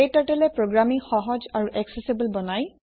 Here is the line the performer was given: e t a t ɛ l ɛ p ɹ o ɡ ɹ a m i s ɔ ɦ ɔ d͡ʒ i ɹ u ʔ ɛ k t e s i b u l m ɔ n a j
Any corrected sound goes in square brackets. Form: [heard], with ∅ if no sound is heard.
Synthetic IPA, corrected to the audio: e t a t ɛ l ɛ p ɹ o ɡ ɹ a m i [x] ɔ ɦ ɔ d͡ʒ [a] ɹ u ʔ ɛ k [s] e s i b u l [b] ɔ n a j